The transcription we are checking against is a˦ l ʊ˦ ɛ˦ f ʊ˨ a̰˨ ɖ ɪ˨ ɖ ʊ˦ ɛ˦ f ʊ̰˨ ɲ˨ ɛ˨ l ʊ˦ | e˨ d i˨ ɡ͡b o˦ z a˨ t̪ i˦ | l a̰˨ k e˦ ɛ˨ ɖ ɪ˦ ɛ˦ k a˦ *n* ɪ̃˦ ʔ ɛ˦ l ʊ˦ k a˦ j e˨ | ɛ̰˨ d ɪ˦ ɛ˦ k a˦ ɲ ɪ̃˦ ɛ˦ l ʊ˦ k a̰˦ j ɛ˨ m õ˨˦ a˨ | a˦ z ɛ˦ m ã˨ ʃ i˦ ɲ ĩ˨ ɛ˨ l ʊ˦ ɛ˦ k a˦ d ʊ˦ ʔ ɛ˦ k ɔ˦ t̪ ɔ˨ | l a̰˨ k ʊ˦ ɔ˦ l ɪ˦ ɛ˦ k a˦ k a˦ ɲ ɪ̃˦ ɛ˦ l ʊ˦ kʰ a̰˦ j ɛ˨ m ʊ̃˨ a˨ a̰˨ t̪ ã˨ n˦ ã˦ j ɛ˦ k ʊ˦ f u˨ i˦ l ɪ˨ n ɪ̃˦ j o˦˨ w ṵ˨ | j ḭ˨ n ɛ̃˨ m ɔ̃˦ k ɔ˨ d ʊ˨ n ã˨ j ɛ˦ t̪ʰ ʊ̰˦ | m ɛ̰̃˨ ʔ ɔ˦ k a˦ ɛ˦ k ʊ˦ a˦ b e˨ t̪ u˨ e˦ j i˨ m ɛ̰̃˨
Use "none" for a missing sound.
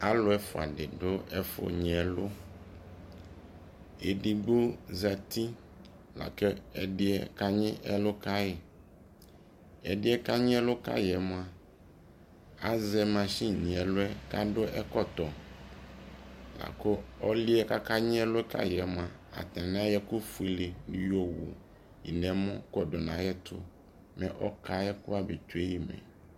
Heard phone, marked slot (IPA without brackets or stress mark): ɲ